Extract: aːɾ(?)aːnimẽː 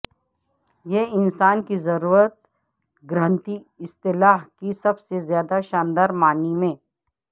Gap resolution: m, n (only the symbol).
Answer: m